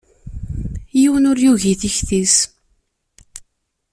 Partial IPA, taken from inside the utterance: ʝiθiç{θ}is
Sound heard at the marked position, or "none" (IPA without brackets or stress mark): θ